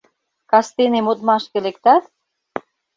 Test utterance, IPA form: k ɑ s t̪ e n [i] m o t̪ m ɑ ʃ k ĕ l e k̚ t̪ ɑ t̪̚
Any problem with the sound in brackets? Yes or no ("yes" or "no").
yes